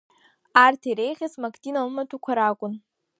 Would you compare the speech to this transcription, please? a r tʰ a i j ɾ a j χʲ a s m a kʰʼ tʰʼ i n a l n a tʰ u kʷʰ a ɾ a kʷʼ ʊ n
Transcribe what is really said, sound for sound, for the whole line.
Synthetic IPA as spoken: a r tʰ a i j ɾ e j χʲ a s m a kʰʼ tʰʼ i n a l m a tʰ u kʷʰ a ɾ a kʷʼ ʊ n